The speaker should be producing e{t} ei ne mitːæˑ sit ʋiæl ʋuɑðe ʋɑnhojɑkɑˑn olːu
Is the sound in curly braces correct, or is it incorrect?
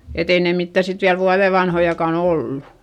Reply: correct